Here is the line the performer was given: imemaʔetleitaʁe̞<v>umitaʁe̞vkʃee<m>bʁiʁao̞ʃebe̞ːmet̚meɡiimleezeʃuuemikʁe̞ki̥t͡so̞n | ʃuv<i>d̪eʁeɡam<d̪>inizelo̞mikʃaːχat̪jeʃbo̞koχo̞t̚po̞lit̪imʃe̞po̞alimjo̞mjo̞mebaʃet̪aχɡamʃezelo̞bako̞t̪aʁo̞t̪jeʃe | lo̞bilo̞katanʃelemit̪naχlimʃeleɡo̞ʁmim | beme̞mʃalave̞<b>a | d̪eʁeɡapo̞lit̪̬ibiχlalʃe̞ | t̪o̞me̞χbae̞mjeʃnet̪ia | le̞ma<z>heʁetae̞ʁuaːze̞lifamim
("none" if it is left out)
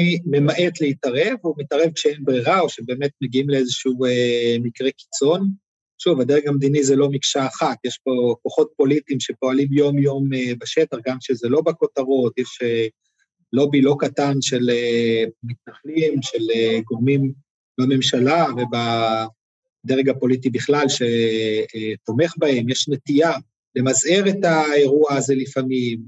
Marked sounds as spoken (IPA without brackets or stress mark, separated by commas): v, n, a, d̪, b, z